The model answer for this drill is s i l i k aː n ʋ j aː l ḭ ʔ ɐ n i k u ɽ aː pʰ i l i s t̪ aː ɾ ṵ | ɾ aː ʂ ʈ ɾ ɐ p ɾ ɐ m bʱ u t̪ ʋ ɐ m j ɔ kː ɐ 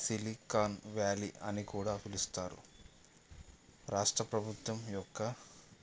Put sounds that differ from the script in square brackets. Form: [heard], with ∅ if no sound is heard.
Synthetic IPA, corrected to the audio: s i l i k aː n ʋ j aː l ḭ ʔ ɐ n i k [uː] ɽ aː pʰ i l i s t̪ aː ɾ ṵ | ɾ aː ʂ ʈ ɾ ɐ p ɾ ɐ [∅] bʱ u t̪ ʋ ɐ m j ɔ kː ɐ

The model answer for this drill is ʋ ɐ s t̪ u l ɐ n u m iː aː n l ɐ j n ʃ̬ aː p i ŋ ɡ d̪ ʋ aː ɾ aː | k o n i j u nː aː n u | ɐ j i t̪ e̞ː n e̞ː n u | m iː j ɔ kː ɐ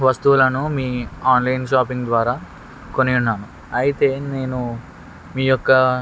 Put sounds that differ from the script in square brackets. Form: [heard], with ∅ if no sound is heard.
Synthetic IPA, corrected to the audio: ʋ ɐ s t̪ u l ɐ n u m iː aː n l ɐ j n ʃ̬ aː p i ŋ ɡ d̪ ʋ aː ɾ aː | k o n i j u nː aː n u | ɐ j i t̪ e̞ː n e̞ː n u | m iː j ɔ kː ɐ

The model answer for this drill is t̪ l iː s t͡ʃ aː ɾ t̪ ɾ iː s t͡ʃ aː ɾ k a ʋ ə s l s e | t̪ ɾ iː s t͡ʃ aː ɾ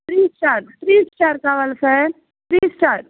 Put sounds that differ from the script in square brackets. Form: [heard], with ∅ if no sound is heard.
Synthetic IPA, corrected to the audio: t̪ [ɾ] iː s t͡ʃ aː ɾ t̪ ɾ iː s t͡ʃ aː ɾ k a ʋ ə [∅] l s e | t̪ ɾ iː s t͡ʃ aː ɾ

